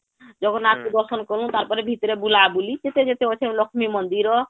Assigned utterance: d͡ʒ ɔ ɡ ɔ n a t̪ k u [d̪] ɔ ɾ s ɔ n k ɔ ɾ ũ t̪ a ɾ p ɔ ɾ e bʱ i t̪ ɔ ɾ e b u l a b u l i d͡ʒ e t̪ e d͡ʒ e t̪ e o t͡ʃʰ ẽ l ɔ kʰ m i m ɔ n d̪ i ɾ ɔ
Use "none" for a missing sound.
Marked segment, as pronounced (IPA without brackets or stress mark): d̪